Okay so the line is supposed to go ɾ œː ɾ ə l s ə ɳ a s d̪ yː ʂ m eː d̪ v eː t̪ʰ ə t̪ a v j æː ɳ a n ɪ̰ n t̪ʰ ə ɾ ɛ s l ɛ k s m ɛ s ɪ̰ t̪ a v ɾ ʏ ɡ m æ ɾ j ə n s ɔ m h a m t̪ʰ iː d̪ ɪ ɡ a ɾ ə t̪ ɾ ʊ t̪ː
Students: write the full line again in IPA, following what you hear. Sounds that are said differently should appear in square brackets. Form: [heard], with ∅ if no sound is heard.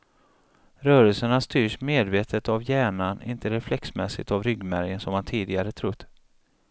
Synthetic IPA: ɾ œː ɾ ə l s ə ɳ a s [t̪] yː ʂ m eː d̪ v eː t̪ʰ ə t̪ a v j æː ɳ a n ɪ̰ n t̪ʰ ə ɾ ɛ [f] l ɛ k s m ɛ s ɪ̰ t̪ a v ɾ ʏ ɡ m æ ɾ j ə n s ɔ m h a [n] t̪ʰ iː d̪ ɪ ɡ a ɾ ə [t̪ʰ] ɾ ʊ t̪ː